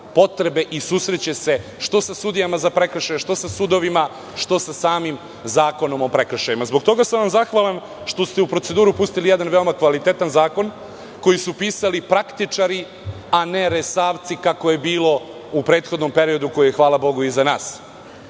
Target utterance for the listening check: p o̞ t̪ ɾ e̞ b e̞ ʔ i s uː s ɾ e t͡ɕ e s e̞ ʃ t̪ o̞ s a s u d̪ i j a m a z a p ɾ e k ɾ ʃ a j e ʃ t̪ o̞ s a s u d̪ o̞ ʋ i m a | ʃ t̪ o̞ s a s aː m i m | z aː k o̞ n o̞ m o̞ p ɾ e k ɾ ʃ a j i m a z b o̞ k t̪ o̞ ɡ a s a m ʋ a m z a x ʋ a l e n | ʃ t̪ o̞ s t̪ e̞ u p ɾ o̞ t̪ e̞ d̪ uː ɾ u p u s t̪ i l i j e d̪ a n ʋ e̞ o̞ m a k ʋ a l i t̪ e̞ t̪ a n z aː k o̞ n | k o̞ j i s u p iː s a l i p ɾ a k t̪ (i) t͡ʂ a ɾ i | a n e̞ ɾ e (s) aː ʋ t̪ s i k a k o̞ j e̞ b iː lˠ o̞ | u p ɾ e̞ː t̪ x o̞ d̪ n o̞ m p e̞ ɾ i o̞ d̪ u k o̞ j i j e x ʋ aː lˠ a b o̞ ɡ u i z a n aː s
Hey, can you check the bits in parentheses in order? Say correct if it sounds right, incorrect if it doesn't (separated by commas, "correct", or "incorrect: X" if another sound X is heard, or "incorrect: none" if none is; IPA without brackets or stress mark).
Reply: correct, correct